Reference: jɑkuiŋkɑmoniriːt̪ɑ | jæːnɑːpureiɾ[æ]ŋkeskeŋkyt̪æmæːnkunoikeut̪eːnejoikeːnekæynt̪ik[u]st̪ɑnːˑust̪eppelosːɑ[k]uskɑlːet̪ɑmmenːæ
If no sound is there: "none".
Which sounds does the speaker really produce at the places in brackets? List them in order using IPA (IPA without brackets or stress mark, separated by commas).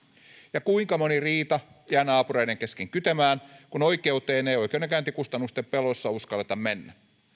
e, u, none